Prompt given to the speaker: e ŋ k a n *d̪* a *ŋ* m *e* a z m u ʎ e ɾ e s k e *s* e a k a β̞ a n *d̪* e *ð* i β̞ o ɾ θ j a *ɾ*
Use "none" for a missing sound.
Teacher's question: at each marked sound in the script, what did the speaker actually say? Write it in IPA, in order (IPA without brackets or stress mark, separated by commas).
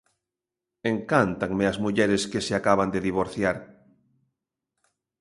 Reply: t̪, ŋ, e, s, d̪, ð, ɾ